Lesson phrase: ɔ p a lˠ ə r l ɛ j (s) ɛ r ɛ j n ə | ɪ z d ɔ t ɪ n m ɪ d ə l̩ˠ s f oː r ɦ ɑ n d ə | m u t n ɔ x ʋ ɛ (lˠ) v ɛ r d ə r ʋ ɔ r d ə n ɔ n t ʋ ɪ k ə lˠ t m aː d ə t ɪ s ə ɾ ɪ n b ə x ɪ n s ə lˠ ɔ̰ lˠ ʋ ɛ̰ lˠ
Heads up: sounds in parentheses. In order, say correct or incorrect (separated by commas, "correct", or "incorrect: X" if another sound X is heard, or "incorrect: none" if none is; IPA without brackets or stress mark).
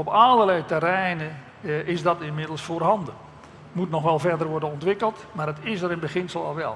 incorrect: t, correct